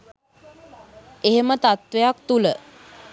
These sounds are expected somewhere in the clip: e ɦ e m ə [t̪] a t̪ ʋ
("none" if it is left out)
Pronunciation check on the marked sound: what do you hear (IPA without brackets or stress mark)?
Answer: t̪